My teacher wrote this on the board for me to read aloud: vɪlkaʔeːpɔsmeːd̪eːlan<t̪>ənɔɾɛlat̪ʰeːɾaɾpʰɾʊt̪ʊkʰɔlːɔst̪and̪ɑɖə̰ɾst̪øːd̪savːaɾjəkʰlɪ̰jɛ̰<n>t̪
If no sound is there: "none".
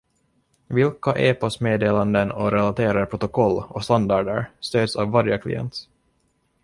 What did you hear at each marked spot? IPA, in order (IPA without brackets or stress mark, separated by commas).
d̪, n